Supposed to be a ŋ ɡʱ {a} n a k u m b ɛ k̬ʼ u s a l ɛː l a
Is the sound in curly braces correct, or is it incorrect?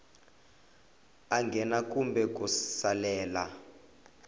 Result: incorrect